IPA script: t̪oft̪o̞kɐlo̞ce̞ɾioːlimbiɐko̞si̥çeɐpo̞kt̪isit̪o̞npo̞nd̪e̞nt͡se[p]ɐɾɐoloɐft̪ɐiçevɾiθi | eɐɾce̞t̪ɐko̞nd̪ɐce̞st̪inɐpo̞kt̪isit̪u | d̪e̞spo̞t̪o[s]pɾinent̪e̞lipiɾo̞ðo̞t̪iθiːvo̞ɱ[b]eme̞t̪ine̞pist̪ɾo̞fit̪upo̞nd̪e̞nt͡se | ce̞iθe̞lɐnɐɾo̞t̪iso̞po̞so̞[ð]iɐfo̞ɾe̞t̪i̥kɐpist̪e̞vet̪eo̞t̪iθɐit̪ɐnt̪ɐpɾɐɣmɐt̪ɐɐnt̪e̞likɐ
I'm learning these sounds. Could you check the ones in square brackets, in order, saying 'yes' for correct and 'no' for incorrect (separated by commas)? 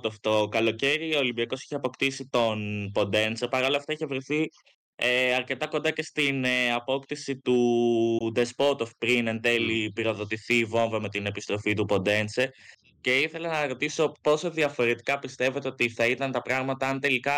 yes, no, no, yes